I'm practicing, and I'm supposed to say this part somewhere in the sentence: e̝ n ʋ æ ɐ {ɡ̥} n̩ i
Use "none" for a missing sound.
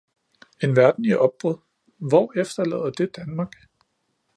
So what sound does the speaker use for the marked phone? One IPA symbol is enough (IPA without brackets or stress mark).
d̥